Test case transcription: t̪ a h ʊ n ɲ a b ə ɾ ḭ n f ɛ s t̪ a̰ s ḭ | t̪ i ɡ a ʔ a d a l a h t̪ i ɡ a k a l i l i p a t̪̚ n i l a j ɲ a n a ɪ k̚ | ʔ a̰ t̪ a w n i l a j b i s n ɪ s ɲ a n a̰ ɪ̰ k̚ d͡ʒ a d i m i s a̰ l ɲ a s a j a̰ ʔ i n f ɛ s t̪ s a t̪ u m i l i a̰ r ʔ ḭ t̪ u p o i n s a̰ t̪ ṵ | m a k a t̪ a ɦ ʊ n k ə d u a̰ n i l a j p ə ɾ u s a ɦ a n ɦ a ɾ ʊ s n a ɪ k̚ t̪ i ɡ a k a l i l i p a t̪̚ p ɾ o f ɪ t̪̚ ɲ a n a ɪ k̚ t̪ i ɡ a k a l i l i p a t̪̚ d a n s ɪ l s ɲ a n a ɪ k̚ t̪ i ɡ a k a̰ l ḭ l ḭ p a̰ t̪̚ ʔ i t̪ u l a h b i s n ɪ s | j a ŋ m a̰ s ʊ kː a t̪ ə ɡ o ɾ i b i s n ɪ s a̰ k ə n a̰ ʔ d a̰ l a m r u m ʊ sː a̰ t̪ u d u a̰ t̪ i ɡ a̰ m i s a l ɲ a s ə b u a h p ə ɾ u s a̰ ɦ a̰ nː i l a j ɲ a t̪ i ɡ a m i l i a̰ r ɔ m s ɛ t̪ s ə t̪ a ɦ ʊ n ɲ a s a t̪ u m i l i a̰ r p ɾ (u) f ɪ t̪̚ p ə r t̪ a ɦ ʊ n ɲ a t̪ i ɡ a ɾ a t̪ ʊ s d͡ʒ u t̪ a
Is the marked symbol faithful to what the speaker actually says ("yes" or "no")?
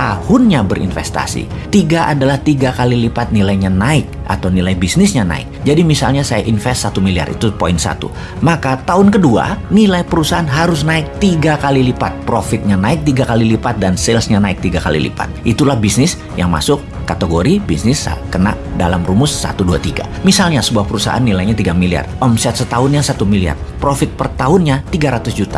no